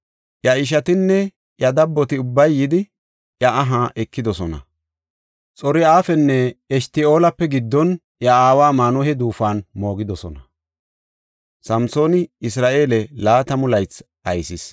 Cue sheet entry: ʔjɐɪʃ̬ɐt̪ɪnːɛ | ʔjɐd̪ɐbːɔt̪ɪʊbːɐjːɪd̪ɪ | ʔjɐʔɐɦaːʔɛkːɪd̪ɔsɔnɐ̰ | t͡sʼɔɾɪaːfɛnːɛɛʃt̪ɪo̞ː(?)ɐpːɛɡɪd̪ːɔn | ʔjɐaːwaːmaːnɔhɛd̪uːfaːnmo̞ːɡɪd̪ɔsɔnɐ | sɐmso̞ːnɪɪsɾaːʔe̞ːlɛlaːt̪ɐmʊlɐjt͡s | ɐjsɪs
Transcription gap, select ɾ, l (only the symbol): l